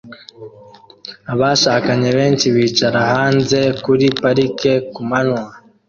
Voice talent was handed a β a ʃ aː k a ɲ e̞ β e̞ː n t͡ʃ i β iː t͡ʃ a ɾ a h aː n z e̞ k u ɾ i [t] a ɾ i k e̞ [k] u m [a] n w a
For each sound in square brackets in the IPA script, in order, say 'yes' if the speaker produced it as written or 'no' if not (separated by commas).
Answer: no, yes, yes